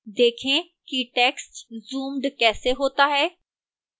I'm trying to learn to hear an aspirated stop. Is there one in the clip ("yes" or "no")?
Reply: yes